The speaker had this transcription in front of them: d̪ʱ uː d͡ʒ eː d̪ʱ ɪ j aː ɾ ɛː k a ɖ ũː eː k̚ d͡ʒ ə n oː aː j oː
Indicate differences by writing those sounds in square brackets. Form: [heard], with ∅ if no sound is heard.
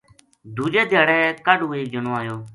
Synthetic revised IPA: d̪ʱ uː d͡ʒ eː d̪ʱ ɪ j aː [ɽ] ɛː k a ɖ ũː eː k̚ d͡ʒ ə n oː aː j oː